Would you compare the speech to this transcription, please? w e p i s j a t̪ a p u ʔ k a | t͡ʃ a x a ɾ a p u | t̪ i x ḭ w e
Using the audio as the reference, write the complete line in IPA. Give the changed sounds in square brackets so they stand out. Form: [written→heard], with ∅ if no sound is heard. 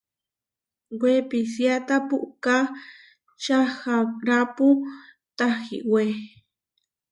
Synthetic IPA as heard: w e p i s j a t̪ a p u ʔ k a | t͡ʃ a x a ɾ a p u | t̪ [i→a] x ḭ w e